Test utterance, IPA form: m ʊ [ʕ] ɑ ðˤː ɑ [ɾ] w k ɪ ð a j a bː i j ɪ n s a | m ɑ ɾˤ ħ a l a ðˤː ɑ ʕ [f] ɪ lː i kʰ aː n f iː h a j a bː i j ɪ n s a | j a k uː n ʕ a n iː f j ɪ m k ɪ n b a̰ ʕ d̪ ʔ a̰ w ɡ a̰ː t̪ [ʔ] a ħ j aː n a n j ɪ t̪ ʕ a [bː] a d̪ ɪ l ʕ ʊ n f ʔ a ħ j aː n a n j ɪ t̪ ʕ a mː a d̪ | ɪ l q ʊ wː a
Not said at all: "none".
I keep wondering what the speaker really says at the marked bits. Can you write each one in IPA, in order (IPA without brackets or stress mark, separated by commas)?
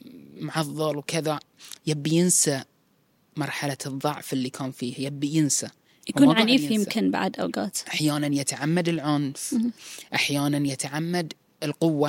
ʕ, l, f, ʔ, mː